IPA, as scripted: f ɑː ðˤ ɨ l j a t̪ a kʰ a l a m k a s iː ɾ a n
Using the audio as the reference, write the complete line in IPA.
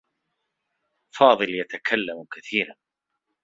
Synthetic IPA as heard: f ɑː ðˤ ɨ l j a t̪ a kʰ a lː a m k a θ iː ɾ a n